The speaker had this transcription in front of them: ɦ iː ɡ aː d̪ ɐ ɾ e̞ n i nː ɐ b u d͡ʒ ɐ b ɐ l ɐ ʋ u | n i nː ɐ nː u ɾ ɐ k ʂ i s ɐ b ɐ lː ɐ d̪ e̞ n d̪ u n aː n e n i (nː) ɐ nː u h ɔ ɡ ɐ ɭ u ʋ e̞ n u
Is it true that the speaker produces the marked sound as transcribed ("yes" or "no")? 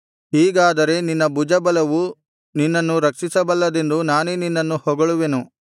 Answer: yes